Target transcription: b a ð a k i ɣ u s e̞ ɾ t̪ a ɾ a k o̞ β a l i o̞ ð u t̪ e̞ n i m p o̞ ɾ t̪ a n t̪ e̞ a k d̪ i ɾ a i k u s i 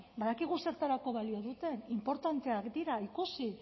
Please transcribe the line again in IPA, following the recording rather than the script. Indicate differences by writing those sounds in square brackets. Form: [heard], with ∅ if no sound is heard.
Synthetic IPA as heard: b a ð a k i ɣ u s e̞ ɾ t̪ a ɾ a k o̞ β a l i o̞ ð u t̪ e̞ n i m p o̞ ɾ t̪ a n t̪ e̞ a k d̪ i ɾ a i k u s i